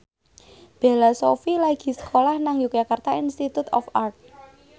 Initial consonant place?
labial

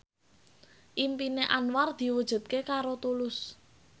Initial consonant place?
glottal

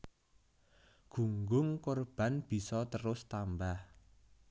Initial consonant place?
velar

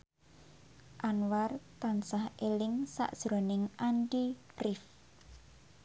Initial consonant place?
glottal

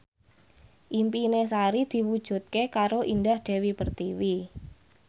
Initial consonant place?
glottal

